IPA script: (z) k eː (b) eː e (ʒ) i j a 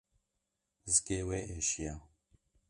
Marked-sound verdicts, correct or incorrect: correct, incorrect: w, incorrect: ʃ

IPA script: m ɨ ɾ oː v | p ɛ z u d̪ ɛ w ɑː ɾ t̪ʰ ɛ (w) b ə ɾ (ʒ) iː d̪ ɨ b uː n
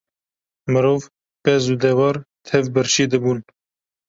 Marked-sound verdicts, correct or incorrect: incorrect: v, incorrect: ʃ

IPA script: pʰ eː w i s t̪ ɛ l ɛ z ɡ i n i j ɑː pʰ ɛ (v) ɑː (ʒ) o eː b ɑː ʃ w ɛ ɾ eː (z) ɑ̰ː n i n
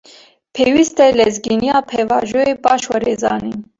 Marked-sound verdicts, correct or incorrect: correct, correct, correct

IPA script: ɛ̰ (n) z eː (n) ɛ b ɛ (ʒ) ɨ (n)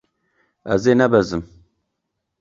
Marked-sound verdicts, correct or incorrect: incorrect: none, correct, incorrect: z, incorrect: m

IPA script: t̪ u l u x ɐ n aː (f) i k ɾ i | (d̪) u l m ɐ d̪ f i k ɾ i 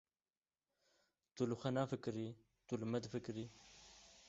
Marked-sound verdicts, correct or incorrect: correct, incorrect: t̪

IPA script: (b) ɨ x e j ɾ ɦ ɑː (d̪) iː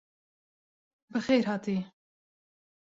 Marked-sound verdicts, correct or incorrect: correct, incorrect: t̪

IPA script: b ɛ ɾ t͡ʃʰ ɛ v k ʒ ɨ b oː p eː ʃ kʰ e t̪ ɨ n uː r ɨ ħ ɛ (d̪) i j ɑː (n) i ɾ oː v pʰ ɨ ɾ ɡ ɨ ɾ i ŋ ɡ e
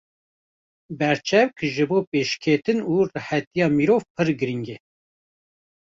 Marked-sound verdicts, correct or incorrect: incorrect: t̪, incorrect: m

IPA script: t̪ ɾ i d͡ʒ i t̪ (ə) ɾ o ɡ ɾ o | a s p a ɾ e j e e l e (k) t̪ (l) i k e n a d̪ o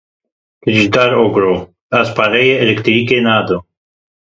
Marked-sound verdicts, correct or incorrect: incorrect: a, correct, incorrect: ɾ

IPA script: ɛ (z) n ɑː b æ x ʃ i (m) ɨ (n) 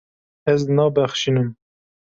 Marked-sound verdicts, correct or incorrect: correct, incorrect: n, incorrect: m

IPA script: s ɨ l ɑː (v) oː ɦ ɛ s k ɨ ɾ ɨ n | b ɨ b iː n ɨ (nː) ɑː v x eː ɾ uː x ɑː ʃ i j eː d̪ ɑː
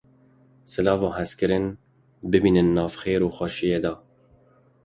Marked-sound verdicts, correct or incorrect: correct, correct

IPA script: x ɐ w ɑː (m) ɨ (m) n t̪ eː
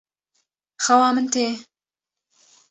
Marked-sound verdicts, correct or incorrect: correct, incorrect: none

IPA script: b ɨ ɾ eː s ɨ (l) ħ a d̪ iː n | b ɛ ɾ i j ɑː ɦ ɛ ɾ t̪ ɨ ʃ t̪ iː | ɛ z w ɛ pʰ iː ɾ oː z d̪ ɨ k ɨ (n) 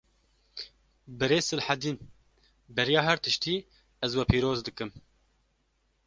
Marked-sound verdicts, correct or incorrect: correct, incorrect: m

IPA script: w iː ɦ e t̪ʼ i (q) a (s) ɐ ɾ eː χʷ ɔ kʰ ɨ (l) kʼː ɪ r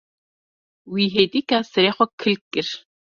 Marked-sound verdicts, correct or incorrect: incorrect: k, correct, correct

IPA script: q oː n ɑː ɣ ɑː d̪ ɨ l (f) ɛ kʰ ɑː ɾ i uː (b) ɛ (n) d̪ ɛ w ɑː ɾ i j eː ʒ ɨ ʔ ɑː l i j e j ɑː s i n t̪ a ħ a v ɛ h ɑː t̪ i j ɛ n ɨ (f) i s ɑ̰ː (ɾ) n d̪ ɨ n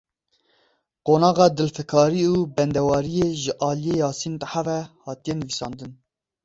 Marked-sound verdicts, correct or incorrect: correct, correct, correct, incorrect: v, incorrect: none

